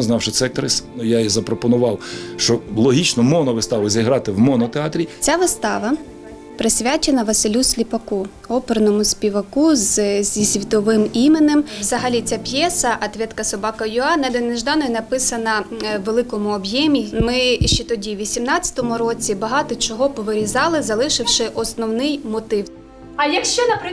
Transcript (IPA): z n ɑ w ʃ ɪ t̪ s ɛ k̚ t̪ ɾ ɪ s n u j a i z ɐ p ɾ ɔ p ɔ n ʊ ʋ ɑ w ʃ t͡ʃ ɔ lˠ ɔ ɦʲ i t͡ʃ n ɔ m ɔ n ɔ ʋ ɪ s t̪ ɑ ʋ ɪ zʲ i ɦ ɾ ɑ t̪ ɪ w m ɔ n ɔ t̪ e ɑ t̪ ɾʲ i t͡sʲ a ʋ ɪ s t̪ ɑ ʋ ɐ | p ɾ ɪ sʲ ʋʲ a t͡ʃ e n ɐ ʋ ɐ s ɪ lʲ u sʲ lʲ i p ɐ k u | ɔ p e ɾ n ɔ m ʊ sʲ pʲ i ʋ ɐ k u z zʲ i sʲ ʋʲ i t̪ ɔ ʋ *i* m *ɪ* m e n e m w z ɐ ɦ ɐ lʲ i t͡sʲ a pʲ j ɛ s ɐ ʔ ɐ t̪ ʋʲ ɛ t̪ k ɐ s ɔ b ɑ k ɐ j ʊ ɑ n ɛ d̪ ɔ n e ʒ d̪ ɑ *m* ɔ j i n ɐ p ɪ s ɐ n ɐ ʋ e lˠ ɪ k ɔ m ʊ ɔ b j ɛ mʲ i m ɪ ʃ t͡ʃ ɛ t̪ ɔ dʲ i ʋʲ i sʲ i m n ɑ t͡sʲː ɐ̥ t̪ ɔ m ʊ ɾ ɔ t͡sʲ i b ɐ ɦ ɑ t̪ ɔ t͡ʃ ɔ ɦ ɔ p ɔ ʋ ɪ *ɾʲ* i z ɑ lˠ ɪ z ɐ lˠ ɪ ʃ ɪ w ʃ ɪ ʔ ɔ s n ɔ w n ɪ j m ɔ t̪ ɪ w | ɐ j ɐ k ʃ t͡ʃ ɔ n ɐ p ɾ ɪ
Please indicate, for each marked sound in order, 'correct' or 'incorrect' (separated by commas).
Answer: incorrect, incorrect, incorrect, correct